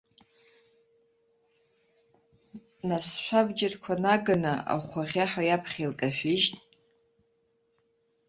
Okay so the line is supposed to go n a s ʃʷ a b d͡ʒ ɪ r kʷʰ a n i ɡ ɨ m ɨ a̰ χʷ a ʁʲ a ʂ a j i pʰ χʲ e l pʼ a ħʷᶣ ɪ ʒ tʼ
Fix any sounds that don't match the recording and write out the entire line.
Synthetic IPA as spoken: n a s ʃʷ a b d͡ʒ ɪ r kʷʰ a n a ɡ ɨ n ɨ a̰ χʷ a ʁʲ a ħ a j a pʰ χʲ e l kʼ a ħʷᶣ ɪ ʒ tʼ